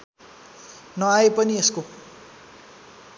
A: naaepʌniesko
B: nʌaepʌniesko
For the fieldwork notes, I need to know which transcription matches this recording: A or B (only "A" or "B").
B